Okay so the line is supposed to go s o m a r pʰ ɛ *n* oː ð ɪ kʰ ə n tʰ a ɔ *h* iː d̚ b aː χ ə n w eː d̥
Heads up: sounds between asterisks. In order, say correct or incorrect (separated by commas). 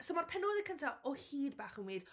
correct, correct